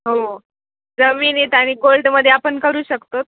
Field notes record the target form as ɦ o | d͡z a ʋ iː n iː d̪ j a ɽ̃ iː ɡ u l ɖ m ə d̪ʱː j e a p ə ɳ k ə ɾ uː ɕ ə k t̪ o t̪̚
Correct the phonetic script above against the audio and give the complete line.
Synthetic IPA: ɦ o | d͡z ə ʋ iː n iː t̪ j a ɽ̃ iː ɡ o l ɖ m ə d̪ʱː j e a p ə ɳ k ə ɾ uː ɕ ə k t̪ o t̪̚

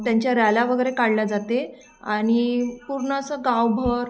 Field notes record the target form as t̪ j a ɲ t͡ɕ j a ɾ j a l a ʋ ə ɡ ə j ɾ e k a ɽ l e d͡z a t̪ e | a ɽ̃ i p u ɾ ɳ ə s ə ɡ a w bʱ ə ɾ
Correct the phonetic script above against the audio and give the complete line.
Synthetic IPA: t̪ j a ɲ t͡ɕ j a ɾ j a l a ʋ ə ɡ ə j ɾ e k a ɽ l a d͡z a t̪ e | a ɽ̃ i p u ɾ ɳ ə s ə ɡ a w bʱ ə ɾ

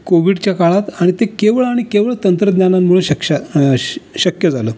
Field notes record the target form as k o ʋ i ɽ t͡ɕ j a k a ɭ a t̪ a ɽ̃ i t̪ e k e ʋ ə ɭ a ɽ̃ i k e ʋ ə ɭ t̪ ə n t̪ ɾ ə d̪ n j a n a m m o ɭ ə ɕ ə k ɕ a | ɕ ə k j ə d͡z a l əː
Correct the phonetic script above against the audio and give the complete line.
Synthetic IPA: k o ʋ i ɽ t͡ɕ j a k a ɭ a t̪ a ɽ̃ i t̪ e k e ʋ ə ɭ a ɽ̃ i k e ʋ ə ɭ t̪ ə n t̪ ɾ ə d̪ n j a n a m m u ɭ ə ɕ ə k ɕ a | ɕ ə k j ə d͡z a l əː

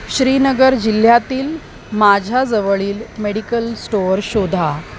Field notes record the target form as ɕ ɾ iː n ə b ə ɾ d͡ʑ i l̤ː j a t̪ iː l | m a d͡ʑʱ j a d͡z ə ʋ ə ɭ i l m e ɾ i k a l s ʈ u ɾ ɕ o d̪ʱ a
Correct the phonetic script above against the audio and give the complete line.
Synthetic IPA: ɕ ɾ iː n ə ɡ ə ɾ d͡ʑ i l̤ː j a t̪ iː l | m a d͡ʑʱ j a d͡z ə ʋ ə ɭ iː l m e ɽ i k ə l s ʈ o ɾ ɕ o d̪ʱ a

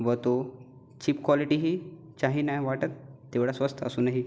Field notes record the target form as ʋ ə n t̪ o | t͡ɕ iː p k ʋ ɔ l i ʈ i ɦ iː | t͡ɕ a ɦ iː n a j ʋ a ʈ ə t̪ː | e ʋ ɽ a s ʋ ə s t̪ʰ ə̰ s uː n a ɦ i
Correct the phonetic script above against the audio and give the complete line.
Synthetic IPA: ʋ ə t̪ o | t͡ɕ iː p k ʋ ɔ l i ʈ i ɦ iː | t͡ɕ a ɦ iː n a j ʋ a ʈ ə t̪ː | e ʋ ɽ a s ʋ ə s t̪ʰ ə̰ s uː n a ɦ i

